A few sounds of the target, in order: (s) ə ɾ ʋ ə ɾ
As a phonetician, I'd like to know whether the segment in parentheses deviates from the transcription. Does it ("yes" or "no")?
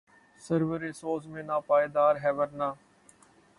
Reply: no